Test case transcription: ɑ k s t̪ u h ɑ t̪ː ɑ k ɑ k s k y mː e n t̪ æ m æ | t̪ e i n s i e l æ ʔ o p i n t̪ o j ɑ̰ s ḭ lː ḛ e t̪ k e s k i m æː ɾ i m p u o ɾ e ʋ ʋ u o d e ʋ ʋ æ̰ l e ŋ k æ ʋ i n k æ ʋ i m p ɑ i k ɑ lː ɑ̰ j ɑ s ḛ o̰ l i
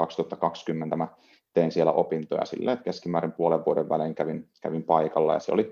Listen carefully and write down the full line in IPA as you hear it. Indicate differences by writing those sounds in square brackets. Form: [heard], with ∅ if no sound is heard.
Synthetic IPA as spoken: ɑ k s t̪ u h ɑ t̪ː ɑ k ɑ k s k y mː e n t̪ æ m æ | t̪ e i n s i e l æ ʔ o p i n t̪ o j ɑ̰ s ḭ lː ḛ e t̪ k e s k i m æː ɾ i m p u o [l] e ʋ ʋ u o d e ʋ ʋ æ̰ l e ŋ k æ ʋ i n k æ ʋ i m p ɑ i k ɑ lː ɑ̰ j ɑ s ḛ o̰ l i